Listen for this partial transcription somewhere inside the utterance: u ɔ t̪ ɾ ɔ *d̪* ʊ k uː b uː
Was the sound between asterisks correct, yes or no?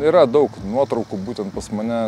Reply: no